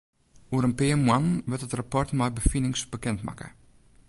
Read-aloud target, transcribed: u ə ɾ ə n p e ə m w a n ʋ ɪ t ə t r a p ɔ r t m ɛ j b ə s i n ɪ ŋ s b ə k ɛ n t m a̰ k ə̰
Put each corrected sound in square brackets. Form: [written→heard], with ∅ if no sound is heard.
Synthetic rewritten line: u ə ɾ ə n p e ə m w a n ʋ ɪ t ə t r a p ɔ r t m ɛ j b ə [s→f] i n ɪ ŋ s b ə k ɛ n t m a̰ k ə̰